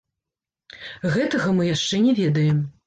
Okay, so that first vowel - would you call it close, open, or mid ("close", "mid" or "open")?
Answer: mid